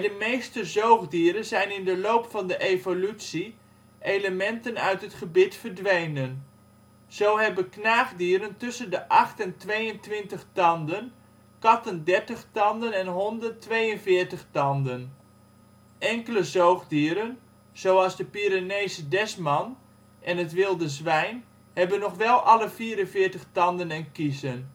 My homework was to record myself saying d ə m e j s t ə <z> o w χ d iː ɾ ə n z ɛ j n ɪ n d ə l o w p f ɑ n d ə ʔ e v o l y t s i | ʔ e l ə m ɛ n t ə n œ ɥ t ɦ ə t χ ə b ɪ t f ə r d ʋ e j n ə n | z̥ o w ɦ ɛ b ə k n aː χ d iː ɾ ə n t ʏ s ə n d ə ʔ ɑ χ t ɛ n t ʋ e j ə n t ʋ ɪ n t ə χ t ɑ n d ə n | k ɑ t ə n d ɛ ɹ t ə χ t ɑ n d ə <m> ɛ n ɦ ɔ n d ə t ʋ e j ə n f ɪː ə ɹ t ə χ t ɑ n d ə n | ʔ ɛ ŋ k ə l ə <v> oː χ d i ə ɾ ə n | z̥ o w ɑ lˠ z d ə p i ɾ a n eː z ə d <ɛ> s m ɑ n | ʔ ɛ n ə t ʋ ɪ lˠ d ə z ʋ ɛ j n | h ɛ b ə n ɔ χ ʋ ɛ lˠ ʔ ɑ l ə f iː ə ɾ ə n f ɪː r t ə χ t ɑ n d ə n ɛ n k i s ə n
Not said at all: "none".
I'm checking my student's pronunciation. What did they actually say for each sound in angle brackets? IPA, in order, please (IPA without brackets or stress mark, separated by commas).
z, n, z, ɛ